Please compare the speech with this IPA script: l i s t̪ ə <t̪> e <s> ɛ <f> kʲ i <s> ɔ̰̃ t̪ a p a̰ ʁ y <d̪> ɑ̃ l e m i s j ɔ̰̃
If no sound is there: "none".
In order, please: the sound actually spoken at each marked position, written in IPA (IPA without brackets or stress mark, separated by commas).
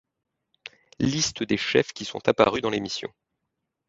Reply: d̪, ʃ, f, s, d̪